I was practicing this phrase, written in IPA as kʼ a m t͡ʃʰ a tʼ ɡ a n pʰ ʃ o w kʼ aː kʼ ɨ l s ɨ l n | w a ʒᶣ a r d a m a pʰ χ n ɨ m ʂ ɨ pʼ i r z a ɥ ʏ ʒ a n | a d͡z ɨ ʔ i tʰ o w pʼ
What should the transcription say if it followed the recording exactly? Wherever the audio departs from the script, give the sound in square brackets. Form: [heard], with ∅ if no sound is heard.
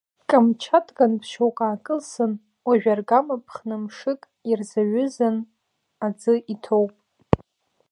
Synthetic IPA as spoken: kʼ a m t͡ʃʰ a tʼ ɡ a n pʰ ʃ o w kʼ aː kʼ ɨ l s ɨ [∅] n | w a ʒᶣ a r [ɡ] a m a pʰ χ n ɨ m ʂ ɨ [kʼ] i r z a ɥ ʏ [z] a n | a d͡z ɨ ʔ i tʰ o w pʼ